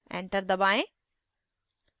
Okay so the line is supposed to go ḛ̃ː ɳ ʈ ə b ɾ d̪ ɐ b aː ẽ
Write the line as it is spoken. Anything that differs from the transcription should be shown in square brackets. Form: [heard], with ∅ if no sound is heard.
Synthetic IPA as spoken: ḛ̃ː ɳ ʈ ə [∅] ɾ d̪ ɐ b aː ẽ